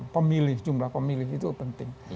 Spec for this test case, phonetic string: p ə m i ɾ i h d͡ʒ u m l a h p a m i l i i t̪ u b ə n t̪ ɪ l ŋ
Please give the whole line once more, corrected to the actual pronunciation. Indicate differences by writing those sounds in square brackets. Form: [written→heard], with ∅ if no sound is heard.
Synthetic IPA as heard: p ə m i [ɾ→l] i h d͡ʒ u m l a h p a m i l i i t̪ u [b→p] ə n t̪ ɪ [l→∅] ŋ